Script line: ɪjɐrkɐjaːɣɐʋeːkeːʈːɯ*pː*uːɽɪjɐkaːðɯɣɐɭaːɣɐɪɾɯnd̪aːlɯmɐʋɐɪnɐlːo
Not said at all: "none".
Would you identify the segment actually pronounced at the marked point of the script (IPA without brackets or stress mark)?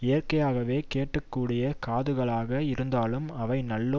kː